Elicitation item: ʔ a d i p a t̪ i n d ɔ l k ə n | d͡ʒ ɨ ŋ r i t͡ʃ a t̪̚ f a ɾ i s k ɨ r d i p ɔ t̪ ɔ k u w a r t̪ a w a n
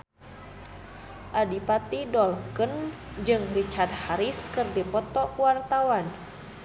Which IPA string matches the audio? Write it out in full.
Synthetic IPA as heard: ʔ a d i p a t̪ i d ɔ l k ə n | d͡ʒ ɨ ŋ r i t͡ʃ a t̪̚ h a ɾ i s k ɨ r d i p ɔ t̪ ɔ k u w a r t̪ a w a n